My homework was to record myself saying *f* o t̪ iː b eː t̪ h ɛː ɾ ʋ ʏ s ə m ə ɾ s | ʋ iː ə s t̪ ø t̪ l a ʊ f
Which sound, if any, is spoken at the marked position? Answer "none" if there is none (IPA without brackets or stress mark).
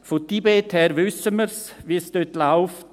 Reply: f